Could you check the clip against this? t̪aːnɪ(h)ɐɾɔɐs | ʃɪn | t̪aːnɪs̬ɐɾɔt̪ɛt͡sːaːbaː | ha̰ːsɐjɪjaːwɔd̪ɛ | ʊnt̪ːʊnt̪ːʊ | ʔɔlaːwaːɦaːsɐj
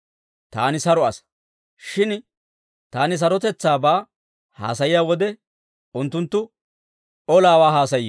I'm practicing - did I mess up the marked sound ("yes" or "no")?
yes